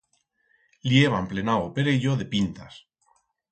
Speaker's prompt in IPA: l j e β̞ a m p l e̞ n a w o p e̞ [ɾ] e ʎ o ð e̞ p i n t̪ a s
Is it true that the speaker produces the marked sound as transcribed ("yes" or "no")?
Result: yes